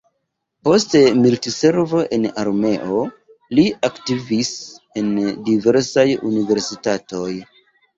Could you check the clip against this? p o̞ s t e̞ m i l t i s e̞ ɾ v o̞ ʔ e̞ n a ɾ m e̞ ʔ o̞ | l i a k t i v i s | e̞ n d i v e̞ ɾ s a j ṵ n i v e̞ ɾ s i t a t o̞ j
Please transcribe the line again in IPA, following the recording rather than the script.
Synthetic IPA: p o̞ s t e̞ m i l t i s e̞ ɾ v o̞ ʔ e̞ n a ɾ m e̞ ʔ o̞ | l i a k t i v i s | e̞ n d i v e̞ ɾ s a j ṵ n i v e̞ ɾ s i t a t o̞ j